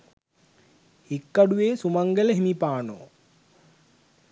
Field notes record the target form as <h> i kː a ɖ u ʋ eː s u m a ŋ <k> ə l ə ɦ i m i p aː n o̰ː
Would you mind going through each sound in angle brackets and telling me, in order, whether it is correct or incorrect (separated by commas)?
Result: correct, incorrect